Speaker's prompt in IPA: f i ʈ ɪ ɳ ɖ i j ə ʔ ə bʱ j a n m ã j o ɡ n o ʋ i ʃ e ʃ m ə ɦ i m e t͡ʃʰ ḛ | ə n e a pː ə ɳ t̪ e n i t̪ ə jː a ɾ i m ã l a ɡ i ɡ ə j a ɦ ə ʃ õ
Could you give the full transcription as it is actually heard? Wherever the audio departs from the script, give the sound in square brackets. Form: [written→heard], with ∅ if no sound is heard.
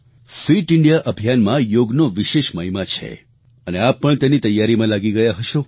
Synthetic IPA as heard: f i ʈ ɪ ɳ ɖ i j [ə→a] ʔ ə bʱ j a n m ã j o ɡ n o ʋ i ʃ e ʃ m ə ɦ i m [e→a] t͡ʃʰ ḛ | ə n e a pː ə ɳ t̪ e n i t̪ ə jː a ɾ i m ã l a ɡ i ɡ ə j a ɦ ə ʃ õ